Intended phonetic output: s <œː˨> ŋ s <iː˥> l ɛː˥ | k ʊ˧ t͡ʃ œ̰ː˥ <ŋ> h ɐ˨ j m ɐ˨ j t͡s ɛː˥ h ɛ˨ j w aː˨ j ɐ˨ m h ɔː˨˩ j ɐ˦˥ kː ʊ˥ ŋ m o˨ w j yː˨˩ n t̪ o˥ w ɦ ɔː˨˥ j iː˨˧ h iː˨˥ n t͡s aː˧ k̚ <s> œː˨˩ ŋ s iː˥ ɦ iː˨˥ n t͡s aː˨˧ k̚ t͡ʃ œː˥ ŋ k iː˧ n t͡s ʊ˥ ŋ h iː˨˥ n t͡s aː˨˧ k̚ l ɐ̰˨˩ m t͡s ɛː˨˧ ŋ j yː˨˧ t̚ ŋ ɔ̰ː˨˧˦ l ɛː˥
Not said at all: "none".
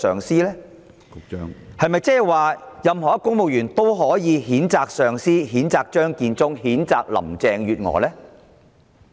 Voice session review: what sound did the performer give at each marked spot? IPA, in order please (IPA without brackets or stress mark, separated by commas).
œː˨, iː˥, ŋ, s